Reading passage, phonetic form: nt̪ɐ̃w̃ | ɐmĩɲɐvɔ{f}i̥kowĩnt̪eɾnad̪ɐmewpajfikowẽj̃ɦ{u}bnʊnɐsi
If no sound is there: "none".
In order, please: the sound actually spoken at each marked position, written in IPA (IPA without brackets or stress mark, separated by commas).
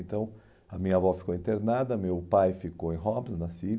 f, ɔ